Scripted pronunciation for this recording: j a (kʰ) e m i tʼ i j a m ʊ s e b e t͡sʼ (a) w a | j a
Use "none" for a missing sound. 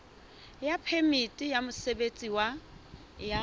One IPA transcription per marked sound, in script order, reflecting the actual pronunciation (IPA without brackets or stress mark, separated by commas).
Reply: pʰ, i